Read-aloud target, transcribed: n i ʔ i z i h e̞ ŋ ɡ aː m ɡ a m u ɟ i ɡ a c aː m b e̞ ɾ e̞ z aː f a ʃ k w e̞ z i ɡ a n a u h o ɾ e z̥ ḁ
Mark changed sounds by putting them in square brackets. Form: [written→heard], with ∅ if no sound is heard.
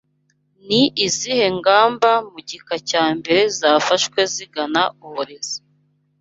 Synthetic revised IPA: n i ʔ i z i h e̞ ŋ ɡ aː m [ɡ→b] a m u ɟ i [ɡ→k] a c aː m b e̞ ɾ e̞ z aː f a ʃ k w e̞ z i ɡ a n a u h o ɾ e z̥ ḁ